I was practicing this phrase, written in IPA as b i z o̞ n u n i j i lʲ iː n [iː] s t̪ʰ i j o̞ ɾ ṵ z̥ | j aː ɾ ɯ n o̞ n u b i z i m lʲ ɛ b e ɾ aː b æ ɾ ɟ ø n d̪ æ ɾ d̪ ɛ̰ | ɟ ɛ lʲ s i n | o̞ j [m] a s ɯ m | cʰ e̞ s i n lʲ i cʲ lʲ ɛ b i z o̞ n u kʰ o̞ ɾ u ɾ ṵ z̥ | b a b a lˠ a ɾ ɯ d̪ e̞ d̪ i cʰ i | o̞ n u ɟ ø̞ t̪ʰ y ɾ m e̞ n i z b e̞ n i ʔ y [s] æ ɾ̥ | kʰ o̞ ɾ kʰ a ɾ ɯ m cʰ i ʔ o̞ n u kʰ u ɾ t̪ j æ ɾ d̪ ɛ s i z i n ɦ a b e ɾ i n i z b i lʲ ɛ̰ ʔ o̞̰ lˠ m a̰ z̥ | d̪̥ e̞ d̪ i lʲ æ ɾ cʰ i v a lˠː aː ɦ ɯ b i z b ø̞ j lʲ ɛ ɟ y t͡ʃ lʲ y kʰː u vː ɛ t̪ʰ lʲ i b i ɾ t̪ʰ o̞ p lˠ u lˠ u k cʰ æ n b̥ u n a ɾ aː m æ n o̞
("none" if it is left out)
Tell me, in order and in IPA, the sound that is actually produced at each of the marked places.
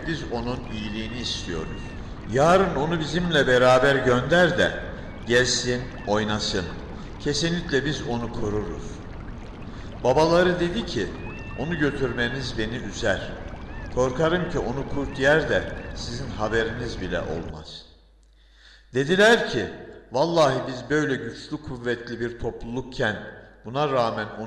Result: iː, n, z

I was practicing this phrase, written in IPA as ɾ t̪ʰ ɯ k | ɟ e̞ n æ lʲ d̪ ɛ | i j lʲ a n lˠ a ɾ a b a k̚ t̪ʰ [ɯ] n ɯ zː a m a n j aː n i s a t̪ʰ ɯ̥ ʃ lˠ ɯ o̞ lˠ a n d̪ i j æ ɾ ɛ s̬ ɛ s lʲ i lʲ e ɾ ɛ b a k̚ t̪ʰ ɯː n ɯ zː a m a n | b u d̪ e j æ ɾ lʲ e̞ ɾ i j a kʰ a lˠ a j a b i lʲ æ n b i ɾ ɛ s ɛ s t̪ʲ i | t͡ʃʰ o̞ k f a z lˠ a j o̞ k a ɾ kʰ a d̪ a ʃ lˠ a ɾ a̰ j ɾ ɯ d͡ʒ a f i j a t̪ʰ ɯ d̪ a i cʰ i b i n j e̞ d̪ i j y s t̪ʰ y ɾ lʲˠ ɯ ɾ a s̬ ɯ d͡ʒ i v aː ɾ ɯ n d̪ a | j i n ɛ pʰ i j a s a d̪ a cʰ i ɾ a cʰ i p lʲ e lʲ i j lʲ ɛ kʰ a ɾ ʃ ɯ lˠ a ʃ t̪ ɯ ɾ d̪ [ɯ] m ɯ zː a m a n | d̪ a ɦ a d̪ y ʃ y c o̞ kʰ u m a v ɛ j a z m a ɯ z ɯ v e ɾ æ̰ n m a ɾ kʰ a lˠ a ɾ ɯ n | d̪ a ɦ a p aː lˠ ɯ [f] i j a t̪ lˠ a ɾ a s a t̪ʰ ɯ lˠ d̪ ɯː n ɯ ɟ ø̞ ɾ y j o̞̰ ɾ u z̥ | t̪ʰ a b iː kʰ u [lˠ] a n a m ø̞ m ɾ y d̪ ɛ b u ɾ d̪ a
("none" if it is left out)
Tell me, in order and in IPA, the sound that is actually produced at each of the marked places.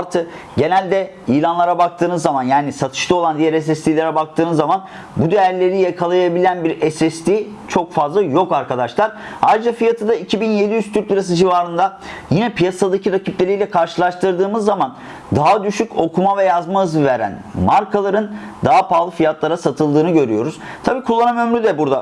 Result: ɯː, ɯː, f, lˠː

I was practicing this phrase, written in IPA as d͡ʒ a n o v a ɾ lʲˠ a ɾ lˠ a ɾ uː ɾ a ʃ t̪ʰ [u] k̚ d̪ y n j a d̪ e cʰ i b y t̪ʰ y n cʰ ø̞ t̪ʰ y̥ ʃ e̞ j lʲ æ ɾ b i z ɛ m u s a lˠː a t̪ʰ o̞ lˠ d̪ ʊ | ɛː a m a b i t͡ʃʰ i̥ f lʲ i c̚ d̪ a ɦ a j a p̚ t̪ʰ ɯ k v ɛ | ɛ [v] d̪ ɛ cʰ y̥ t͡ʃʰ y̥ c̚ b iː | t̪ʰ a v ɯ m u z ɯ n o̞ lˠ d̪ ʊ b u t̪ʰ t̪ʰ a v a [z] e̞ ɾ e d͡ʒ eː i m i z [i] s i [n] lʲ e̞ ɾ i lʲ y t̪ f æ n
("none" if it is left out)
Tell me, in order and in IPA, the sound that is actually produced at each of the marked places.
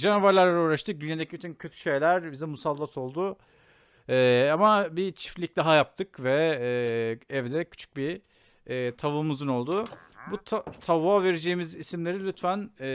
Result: ɯ, v, v, i, m

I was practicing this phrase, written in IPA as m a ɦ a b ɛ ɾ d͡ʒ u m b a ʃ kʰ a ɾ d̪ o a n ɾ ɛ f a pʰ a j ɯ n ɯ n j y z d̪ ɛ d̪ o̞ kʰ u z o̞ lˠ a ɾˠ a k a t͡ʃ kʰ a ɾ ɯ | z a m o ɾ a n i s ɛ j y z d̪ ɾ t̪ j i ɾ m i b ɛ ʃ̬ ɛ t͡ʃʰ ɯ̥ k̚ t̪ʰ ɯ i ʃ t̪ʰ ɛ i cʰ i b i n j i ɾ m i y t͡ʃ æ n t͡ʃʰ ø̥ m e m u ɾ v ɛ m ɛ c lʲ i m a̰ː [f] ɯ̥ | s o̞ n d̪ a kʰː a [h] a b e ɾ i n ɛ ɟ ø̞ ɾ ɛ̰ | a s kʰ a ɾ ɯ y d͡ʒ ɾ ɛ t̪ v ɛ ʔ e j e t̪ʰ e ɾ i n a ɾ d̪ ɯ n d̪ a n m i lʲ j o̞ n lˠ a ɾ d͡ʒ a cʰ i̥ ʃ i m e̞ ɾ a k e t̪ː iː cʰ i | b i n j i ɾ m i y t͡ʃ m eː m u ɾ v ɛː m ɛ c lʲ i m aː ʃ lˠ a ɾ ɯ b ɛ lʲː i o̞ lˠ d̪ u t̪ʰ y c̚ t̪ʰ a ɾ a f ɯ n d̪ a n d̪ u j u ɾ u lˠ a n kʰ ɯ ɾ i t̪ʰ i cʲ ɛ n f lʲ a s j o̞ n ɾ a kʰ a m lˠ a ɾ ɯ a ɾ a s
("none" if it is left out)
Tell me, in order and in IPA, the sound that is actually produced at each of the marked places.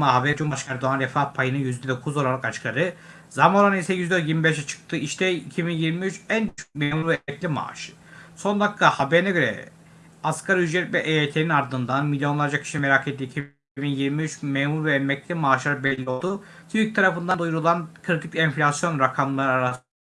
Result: ʃ, h

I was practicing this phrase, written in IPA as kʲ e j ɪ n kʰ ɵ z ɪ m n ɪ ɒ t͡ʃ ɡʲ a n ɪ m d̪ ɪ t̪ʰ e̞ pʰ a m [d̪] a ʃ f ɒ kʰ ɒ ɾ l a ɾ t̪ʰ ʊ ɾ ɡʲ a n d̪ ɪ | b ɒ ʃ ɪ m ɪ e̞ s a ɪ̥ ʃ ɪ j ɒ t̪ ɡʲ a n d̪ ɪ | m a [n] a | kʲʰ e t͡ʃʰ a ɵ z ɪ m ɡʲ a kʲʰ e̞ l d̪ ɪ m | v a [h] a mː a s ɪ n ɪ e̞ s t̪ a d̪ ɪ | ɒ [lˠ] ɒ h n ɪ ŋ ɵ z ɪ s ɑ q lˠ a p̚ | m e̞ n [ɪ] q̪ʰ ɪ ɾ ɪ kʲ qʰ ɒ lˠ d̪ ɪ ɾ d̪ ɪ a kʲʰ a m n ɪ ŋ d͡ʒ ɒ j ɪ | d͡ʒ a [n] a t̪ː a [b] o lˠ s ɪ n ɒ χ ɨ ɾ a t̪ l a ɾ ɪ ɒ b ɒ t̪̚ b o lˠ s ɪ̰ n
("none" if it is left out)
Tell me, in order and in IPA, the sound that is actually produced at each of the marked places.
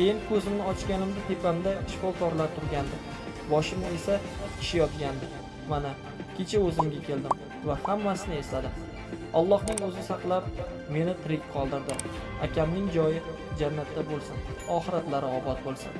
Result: d̪, n, h, lˠː, ɪ, nː, b

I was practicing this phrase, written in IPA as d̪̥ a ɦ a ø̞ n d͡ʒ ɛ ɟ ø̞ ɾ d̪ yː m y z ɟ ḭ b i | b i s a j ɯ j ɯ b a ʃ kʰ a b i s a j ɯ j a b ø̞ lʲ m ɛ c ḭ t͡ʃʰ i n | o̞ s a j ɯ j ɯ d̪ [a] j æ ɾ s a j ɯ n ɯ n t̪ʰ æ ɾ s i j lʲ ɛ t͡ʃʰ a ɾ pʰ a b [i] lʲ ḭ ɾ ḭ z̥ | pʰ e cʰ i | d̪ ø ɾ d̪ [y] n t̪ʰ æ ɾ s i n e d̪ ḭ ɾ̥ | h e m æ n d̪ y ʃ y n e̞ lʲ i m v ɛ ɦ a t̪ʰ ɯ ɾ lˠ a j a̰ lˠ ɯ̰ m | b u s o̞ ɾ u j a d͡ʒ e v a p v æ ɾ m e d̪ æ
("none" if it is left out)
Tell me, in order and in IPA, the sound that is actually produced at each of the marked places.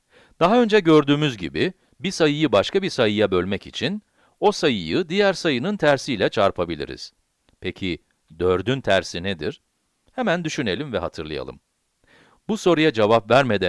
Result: i, i, y

